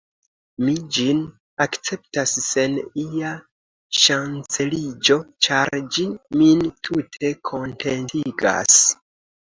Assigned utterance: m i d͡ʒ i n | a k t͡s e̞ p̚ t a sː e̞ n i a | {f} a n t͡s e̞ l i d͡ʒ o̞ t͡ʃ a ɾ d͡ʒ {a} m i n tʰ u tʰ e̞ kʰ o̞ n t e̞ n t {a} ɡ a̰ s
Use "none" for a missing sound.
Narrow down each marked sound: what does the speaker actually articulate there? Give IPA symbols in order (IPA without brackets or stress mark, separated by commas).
ʃ, i, i